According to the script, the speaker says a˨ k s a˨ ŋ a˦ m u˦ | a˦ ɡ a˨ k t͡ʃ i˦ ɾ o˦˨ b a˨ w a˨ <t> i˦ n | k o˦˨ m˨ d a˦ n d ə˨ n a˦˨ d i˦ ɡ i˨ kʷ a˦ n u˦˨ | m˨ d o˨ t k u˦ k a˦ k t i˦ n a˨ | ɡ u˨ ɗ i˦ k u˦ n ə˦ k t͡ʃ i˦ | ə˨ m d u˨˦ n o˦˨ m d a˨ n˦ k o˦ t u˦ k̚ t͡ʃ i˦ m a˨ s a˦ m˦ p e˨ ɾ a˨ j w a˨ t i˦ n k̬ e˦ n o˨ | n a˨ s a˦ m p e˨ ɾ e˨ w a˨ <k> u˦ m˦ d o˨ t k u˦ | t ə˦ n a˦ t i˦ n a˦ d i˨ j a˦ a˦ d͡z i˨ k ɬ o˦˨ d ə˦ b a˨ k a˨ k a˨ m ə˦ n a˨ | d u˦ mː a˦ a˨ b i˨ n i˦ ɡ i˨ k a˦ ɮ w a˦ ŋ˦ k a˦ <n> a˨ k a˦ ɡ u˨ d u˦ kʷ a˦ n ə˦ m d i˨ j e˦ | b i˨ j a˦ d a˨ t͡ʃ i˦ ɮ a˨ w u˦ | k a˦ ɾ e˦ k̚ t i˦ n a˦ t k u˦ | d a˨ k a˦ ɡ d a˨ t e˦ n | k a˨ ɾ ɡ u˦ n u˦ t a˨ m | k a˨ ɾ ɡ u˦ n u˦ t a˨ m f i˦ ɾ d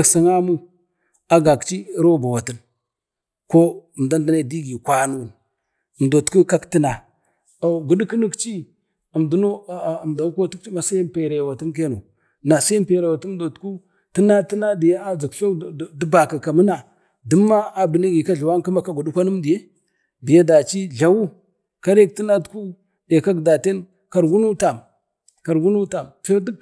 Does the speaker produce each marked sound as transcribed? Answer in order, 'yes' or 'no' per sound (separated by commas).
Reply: yes, no, no